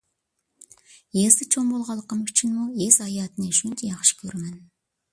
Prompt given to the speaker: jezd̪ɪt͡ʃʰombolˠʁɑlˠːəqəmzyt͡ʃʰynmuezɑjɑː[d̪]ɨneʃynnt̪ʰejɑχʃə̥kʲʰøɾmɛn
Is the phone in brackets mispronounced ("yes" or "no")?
yes